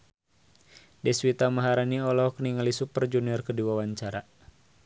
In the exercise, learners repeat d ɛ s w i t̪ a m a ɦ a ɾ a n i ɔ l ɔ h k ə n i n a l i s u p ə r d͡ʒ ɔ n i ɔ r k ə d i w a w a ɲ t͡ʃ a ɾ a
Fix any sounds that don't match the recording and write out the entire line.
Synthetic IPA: d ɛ s w i t̪ a m a ɦ a ɾ a n i ɔ l ɔ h k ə n i ŋ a l i s u p ə r d͡ʒ u n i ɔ r k ə d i w a w a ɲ t͡ʃ a ɾ a